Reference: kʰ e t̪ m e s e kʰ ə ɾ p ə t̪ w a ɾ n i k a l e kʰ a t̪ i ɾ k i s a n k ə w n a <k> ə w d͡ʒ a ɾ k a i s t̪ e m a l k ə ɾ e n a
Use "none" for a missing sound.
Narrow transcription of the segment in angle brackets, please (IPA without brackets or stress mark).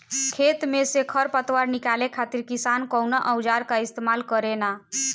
ʔ